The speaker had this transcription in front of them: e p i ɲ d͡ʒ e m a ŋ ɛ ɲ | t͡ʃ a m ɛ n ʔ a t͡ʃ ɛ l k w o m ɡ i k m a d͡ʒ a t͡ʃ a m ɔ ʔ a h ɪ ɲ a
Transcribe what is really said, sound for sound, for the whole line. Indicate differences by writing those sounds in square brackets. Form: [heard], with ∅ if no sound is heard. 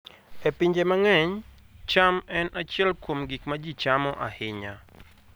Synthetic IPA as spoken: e p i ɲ d͡ʒ e m a ŋ ɛ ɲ | t͡ʃ a m ɛ n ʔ a t͡ʃ ɛ l k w o m ɡ i k m a d͡ʒ [i] t͡ʃ a m ɔ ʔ a h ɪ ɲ a